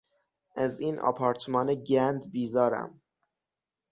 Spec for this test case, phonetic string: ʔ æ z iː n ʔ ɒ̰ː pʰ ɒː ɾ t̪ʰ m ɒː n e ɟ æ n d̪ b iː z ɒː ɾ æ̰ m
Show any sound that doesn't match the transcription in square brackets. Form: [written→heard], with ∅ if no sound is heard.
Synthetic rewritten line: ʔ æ z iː n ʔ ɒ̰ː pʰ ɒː ɾ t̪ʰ m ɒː n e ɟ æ n d̪ b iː z ɒː ɾ æ̰ m